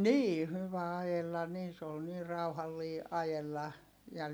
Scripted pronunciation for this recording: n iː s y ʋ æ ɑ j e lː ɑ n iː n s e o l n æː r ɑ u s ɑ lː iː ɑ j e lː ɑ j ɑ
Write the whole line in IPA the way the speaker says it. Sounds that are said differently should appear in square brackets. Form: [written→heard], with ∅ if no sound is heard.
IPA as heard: n iː [s→h] y ʋ æ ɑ j e lː ɑ n iː n s e o l n [æː→iː] r ɑ u [s→h] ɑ lː iː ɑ j e lː ɑ j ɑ